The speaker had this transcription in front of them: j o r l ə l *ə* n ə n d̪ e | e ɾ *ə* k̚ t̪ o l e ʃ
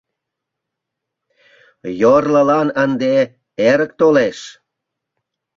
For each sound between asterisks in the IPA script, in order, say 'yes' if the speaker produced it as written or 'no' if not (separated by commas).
no, yes